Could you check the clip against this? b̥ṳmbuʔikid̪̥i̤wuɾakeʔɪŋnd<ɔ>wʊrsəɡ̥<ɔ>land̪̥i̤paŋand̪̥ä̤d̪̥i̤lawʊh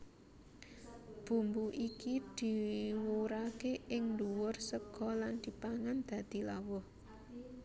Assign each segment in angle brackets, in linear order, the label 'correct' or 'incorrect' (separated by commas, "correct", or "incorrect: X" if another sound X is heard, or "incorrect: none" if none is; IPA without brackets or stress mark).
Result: incorrect: u, correct